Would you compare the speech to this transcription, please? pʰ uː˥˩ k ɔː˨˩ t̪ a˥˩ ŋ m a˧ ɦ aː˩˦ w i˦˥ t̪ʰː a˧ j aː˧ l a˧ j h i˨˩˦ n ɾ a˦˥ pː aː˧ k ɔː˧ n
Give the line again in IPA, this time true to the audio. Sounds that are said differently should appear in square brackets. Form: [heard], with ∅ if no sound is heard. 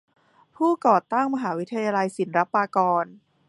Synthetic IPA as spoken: pʰ uː˥˩ k ɔː˨˩ t̪ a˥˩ ŋ m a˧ ɦ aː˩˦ w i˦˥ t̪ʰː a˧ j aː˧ l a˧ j [s] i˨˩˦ n ɾ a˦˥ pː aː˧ k ɔː˧ n